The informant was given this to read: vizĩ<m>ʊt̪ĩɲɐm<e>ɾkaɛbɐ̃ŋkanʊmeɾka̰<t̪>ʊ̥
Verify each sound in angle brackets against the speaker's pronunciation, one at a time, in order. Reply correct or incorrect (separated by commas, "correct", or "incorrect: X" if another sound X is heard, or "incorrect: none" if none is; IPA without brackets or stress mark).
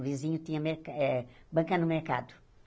incorrect: ɲ, correct, incorrect: d̪